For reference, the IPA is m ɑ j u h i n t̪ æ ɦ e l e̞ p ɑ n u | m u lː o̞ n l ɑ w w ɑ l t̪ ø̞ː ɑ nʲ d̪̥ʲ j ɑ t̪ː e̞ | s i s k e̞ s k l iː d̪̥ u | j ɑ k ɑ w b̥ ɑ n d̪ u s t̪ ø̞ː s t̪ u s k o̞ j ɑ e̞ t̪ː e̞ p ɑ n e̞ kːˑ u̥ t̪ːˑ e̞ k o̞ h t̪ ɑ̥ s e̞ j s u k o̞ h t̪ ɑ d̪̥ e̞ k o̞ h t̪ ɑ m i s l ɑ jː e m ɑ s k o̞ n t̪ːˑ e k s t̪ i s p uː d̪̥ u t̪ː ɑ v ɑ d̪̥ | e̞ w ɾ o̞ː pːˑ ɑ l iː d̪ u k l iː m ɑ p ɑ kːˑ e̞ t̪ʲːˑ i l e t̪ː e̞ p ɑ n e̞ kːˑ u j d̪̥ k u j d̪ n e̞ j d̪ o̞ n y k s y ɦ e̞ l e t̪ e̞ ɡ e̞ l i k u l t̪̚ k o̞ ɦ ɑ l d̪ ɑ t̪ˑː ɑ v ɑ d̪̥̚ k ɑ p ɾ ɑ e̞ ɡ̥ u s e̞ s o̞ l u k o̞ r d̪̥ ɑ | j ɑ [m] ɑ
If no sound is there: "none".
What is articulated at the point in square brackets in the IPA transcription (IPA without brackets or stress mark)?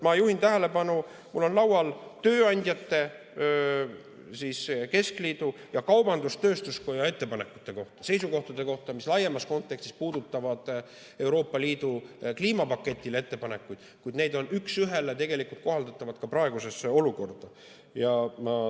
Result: m